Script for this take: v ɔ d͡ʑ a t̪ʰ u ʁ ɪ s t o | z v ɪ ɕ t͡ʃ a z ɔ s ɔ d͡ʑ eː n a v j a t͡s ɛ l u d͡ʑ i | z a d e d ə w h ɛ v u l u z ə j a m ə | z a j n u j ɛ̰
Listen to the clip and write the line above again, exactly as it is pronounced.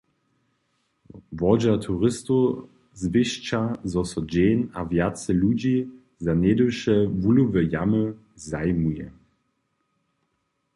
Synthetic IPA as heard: v ɔ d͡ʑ a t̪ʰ u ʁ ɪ s t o | z v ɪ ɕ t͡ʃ a z ɔ s ɔ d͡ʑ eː n a v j a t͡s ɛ l u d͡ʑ i | z a n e d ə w ʃ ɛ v u l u v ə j a m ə | z a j m u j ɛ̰